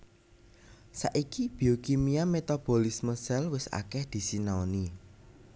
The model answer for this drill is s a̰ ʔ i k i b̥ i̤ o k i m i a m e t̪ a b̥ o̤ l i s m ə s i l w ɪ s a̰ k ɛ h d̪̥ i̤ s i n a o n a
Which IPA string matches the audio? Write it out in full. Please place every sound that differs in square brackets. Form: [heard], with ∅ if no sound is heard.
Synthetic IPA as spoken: s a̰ ʔ i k i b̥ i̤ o k i m i a m e t̪ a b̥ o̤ l i s m ə s [ɛ] l w ɪ s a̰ k ɛ h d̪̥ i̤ s i n a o n [i]